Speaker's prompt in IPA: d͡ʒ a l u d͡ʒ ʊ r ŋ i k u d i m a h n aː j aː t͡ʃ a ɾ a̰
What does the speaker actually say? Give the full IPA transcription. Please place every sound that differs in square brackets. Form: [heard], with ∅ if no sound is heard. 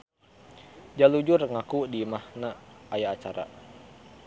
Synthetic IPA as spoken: d͡ʒ a l u d͡ʒ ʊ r ŋ [a] k u d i m a h n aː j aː t͡ʃ a ɾ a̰